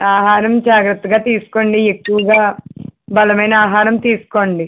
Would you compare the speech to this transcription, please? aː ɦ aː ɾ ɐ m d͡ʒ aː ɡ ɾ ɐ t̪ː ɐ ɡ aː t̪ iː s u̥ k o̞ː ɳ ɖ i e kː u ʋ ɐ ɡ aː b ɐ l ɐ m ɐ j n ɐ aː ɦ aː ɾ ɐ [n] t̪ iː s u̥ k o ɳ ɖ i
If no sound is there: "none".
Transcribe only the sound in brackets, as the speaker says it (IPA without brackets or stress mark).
m